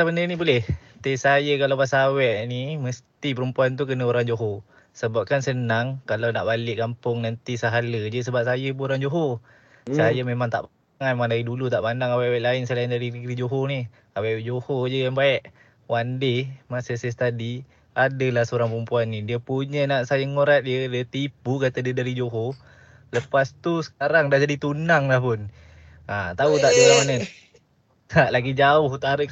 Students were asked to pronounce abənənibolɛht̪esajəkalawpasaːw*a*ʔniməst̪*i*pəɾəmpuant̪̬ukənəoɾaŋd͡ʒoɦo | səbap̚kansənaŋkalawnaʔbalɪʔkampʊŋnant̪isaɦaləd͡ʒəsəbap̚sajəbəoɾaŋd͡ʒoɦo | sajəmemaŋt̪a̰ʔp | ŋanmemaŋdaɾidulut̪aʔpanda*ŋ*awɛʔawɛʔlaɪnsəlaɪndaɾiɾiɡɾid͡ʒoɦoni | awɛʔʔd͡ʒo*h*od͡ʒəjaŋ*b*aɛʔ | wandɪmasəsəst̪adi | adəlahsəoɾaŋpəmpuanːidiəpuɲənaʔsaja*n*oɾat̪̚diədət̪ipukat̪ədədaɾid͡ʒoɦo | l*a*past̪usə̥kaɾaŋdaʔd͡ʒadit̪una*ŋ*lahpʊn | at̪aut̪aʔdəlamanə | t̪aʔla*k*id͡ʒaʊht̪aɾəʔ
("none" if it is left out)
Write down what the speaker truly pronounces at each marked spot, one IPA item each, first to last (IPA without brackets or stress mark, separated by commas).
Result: ɛ, i, ŋ, h, b, ŋ, ə, ŋ, ɡ